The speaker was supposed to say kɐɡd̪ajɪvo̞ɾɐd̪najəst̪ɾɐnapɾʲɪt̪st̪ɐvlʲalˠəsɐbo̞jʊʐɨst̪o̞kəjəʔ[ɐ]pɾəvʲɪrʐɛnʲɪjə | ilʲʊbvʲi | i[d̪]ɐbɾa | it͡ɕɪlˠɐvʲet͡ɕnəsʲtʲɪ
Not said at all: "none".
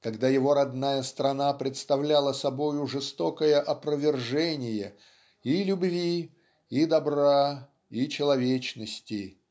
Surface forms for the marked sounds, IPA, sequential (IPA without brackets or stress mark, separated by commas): ɐ, d̪